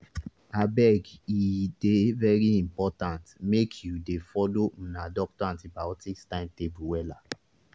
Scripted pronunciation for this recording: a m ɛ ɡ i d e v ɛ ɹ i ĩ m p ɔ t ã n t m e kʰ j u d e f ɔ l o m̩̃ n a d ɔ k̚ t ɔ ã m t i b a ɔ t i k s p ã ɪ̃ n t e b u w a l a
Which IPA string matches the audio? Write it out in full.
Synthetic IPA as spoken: a b ɛ ɡ i d e v ɛ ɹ i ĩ m p ɔ t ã n t m e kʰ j u d e f ɔ l o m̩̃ n a d ɔ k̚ t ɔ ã n t i b a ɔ t i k s t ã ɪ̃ n t e b u w ɛ l a